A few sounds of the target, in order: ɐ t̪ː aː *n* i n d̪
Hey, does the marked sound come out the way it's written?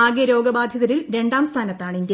no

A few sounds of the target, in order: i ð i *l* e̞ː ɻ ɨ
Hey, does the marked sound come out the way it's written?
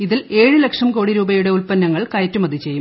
yes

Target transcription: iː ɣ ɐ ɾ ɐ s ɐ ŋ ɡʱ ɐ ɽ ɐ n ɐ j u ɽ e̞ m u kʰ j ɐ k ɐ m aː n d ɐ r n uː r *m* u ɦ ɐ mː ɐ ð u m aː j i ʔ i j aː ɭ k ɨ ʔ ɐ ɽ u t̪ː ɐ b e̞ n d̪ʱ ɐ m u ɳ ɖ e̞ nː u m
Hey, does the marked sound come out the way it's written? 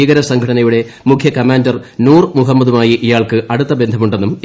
yes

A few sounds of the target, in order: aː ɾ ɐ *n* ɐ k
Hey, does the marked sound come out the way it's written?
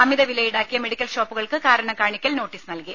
no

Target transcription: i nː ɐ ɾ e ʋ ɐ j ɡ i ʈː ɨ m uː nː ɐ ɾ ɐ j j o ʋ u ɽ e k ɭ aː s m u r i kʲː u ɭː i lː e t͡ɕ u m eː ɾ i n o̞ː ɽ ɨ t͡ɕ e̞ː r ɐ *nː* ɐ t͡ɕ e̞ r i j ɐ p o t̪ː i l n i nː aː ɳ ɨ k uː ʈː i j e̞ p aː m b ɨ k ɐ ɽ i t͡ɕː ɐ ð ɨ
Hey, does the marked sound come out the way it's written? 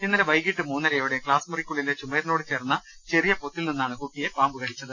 yes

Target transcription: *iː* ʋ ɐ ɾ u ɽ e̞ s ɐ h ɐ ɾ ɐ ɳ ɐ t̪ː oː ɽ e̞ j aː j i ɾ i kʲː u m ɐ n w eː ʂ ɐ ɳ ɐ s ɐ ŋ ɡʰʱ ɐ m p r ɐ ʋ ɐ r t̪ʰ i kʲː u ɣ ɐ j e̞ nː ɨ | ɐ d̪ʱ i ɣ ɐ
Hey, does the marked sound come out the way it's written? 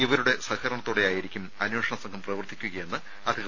no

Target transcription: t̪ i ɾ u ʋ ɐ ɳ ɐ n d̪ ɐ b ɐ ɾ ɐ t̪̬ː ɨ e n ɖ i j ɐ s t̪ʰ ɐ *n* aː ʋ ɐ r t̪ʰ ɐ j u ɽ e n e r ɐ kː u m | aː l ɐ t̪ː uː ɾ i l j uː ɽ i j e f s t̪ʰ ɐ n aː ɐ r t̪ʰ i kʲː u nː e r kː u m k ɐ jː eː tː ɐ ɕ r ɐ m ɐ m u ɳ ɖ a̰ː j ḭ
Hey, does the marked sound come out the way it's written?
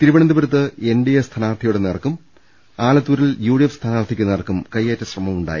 yes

